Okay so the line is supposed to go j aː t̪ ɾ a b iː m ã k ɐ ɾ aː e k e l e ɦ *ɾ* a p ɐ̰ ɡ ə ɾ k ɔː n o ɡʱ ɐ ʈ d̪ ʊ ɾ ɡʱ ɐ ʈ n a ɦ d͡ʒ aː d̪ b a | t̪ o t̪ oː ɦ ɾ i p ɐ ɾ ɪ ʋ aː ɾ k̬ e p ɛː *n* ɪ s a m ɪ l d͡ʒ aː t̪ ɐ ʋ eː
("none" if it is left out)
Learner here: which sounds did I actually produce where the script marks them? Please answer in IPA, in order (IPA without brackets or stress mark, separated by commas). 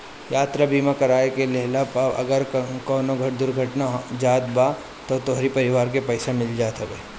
l, none